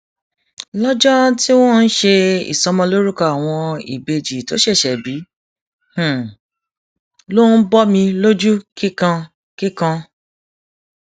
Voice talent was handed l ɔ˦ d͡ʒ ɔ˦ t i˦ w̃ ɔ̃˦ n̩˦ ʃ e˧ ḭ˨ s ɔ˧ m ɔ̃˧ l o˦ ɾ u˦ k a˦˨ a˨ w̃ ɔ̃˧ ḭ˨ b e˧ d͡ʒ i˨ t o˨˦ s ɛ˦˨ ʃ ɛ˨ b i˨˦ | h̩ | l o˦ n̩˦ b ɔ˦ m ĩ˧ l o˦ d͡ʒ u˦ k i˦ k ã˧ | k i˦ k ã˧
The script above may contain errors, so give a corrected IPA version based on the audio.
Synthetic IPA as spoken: l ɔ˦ d͡ʒ ɔ˦ t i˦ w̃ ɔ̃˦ n̩˦ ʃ e˧ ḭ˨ s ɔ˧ m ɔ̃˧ l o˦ ɾ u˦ k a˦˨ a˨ w̃ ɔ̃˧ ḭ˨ b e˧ d͡ʒ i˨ t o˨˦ ʃ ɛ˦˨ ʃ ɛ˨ b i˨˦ | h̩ | l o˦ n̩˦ b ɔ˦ m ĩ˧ l o˦ d͡ʒ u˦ k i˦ k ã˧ | k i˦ k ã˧